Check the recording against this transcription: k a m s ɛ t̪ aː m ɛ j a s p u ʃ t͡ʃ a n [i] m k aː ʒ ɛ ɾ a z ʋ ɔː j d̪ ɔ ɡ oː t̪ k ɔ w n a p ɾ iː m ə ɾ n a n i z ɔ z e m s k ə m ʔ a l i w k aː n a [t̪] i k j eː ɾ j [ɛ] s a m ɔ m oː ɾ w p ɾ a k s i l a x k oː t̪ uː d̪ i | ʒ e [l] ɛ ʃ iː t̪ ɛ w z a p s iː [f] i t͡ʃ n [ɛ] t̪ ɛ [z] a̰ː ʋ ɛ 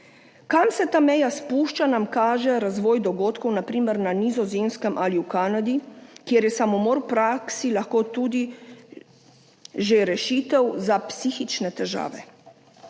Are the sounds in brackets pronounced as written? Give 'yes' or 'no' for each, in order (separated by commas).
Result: no, no, yes, no, no, yes, no